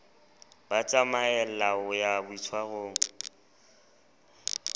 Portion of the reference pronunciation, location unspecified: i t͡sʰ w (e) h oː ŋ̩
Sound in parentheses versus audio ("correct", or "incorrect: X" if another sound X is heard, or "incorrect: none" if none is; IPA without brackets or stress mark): incorrect: a